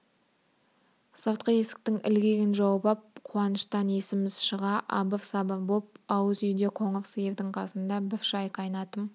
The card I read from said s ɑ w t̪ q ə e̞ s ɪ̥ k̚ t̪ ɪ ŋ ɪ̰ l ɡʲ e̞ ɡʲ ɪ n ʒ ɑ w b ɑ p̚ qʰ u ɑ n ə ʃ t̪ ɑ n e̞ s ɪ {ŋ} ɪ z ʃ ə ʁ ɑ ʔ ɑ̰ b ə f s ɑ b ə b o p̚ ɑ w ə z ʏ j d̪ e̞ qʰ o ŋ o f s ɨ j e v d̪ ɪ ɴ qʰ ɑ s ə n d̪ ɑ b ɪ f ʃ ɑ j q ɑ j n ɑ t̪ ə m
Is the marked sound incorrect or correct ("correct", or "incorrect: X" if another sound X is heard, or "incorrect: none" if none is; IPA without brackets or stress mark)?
incorrect: m